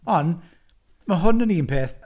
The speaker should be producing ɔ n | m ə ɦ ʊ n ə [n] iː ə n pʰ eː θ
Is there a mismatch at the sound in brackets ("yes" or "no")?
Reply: no